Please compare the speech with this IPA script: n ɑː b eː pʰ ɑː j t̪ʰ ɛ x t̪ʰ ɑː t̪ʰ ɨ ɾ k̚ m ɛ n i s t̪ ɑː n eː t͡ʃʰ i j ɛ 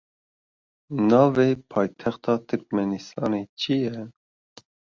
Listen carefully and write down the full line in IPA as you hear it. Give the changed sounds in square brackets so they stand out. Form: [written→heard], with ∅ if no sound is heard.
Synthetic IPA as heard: n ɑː [b→v] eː pʰ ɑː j t̪ʰ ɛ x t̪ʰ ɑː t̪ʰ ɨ ɾ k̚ m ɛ n i s t̪ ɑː n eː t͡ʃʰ i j ɛ

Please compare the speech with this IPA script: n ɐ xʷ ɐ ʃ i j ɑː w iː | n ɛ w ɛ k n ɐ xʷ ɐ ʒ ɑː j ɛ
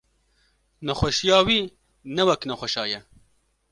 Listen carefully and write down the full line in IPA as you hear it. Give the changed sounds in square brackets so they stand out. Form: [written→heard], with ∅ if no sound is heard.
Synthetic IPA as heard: n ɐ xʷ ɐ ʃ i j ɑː w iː | n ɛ w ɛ k n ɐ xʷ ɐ [ʒ→ʃ] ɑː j ɛ

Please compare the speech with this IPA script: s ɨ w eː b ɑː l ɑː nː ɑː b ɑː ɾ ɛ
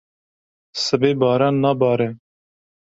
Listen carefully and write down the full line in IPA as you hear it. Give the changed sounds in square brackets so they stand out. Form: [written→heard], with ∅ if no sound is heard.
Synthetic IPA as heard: s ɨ [w→b] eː b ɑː [l→ɾ] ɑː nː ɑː b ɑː ɾ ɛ

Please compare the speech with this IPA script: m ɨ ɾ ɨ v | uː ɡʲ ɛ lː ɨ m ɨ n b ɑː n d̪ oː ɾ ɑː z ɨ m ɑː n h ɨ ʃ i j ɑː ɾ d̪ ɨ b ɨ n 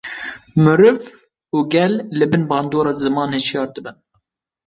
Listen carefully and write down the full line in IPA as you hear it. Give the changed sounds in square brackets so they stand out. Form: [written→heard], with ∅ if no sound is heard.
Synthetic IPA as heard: m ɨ ɾ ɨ v | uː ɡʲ ɛ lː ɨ [m→b] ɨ n b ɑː n d̪ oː ɾ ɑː z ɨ m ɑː n h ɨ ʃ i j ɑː ɾ d̪ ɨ b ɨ n

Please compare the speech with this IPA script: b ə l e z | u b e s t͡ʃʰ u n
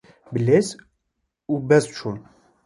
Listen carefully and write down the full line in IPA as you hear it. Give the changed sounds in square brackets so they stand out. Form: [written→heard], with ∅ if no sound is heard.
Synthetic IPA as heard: b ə l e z | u b [e→ɛ] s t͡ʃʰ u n

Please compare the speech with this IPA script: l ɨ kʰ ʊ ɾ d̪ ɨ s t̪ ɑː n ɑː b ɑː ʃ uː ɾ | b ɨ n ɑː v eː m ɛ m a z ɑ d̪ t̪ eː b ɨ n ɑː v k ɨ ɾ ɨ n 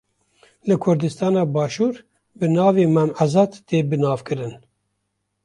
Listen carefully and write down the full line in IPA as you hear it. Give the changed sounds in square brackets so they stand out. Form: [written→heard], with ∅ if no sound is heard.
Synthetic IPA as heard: l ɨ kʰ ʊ ɾ d̪ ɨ s t̪ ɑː n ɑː b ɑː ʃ uː ɾ | b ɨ n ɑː v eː m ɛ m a z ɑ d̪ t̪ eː b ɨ n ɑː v k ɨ ɾ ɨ n

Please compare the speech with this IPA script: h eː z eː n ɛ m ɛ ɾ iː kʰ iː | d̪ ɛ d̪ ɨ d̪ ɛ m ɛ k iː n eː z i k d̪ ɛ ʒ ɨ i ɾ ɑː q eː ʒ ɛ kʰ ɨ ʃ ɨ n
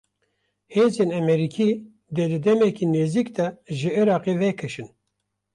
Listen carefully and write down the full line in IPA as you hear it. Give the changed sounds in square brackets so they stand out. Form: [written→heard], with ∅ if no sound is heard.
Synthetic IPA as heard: h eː z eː n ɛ m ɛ ɾ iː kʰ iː | d̪ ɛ d̪ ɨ d̪ ɛ m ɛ k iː n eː z i k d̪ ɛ ʒ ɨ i ɾ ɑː q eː [ʒ→v] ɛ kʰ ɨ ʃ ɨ n

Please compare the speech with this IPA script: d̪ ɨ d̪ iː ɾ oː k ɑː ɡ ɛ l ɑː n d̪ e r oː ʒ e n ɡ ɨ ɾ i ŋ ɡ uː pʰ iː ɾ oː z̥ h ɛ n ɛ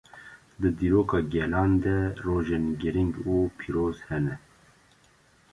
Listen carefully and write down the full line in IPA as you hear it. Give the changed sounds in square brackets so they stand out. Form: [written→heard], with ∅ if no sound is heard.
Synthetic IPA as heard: d̪ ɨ d̪ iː ɾ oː k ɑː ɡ ɛ l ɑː n d̪ [e→ɛ] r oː ʒ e n ɡ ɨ ɾ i ŋ ɡ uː pʰ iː ɾ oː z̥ h ɛ n ɛ

